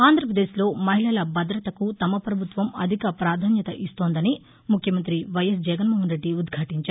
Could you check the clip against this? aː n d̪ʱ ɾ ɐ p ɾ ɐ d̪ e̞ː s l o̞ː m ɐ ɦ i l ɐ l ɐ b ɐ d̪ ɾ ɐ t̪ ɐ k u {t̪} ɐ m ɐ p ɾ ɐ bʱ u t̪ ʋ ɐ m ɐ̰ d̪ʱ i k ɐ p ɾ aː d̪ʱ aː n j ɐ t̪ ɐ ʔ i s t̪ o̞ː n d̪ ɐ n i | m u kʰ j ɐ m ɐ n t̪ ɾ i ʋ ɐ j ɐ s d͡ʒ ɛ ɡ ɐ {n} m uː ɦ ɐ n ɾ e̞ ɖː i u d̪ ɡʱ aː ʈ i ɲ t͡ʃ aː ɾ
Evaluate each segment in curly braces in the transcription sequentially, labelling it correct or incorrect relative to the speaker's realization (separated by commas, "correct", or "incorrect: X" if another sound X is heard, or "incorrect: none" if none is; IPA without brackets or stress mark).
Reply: correct, correct